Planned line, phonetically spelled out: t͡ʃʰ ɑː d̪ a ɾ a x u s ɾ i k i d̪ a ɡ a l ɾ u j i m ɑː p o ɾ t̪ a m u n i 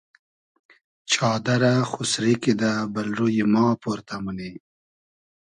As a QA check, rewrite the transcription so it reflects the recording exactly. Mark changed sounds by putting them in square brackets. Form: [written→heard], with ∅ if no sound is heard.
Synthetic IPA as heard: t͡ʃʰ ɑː d̪ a ɾ a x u s ɾ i k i d̪ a [ɡ→b] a l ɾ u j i m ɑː p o ɾ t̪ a m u n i